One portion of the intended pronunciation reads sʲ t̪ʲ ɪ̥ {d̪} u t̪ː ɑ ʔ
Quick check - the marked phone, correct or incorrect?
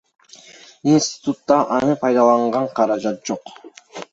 incorrect